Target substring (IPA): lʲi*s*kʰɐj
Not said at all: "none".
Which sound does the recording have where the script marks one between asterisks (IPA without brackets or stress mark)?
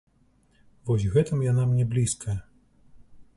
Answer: s